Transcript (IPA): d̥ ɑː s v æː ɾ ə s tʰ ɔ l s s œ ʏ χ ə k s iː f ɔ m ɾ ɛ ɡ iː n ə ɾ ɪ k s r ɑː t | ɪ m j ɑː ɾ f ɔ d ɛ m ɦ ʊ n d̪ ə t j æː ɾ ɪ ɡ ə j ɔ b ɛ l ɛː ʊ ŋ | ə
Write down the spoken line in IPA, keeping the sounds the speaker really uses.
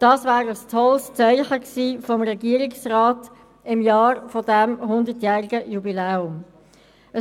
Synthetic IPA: d̥ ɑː s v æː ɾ ə s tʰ ɔ l s t͡s œ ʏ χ ə k s iː f ɔ m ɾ ɛ ɡ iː ə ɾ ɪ k s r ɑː t | ɪ m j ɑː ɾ f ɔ d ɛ m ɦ ʊ n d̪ ə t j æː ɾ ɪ ɡ ə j u b i l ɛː ʊ m | ə